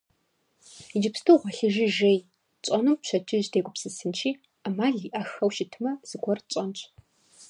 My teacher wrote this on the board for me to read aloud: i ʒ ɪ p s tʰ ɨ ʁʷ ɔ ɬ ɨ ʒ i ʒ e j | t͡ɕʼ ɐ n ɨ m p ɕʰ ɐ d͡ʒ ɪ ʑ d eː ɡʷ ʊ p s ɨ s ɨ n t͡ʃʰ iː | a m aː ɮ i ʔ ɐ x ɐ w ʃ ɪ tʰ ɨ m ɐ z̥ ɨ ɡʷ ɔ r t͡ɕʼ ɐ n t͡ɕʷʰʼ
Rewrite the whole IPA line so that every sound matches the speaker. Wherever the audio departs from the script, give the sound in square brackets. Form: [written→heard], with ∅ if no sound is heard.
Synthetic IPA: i [ʒ→d͡ʒ] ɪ p s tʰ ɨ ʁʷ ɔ ɬ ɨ ʒ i ʒ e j | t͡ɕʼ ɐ n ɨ m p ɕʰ ɐ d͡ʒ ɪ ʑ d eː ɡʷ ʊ p s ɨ s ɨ n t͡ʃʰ iː | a m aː ɮ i ʔ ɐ x ɐ w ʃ ɪ tʰ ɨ m ɐ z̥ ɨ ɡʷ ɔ r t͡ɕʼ ɐ n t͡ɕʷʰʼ

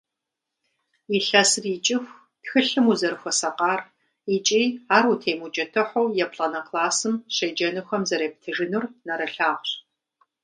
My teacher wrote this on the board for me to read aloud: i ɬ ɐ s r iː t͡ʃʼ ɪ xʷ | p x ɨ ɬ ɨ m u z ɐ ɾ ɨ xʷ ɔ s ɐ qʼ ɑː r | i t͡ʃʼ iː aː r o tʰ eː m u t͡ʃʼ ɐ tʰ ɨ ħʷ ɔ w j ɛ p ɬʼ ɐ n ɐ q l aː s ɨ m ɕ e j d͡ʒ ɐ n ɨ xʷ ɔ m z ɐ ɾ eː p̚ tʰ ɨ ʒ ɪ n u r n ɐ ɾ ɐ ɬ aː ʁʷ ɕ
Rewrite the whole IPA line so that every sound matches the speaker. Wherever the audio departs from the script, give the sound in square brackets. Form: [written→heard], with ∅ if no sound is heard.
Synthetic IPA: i ɬ ɐ s r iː t͡ʃʼ ɪ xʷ | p x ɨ ɬ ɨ m u z ɐ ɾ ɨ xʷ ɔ s ɐ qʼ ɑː r | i t͡ʃʼ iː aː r [o→u] tʰ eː m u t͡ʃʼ ɐ tʰ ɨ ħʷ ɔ w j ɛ p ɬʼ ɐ n ɐ q l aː s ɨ m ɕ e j d͡ʒ ɐ n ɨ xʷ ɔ m z ɐ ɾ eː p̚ tʰ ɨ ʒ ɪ n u r n ɐ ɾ ɐ ɬ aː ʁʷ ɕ

